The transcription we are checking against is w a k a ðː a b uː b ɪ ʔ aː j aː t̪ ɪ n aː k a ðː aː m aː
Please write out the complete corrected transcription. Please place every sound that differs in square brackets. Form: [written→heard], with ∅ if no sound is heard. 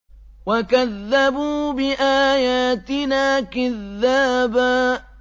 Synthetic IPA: w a k a ðː a b uː b ɪ ʔ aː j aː t̪ ɪ n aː k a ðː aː [m→b] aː